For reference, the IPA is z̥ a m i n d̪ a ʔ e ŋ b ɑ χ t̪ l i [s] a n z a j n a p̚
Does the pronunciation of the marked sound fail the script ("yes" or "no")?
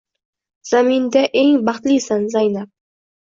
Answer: no